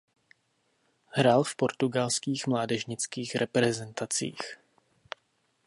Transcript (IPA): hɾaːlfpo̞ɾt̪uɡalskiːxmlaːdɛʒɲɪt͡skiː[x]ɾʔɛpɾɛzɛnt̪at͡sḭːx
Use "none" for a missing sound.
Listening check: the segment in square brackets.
x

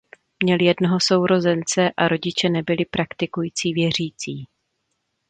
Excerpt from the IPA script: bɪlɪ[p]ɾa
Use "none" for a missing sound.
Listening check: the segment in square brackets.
p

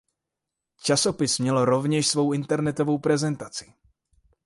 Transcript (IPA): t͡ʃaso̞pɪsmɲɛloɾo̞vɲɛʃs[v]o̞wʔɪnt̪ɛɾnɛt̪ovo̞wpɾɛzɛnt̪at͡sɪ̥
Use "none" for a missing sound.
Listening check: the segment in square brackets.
v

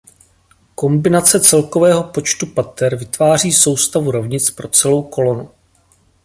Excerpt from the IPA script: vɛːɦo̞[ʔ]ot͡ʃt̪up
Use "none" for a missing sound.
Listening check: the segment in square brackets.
p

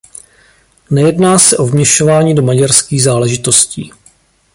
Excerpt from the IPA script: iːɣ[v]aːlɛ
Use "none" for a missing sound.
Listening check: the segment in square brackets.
z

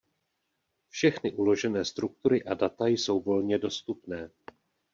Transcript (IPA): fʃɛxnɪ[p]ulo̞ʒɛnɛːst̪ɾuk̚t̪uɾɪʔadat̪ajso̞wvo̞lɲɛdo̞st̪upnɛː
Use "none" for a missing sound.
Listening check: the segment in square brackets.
ʔ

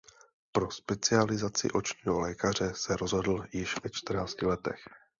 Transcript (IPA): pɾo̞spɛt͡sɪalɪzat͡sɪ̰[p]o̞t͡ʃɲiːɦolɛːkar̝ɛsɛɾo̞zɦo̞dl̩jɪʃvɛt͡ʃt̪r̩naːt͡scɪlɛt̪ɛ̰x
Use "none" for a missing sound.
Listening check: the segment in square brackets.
ʔ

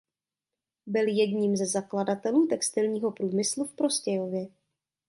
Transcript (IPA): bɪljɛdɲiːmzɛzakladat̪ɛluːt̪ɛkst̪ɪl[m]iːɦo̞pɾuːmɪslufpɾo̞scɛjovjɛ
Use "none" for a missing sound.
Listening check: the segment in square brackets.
ɲ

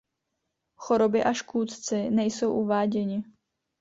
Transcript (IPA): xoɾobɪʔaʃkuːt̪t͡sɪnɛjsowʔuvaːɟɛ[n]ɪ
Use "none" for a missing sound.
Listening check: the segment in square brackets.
ɲ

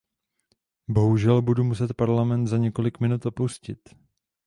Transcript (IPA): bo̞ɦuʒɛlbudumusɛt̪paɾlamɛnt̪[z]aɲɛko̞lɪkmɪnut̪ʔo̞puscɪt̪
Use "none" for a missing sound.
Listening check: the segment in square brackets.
z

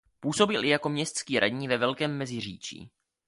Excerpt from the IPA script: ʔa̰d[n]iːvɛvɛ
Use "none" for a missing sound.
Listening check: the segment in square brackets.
ɲ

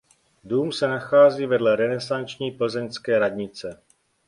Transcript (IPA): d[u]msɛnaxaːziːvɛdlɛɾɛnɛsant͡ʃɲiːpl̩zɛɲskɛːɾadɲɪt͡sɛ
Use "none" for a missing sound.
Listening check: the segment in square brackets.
uː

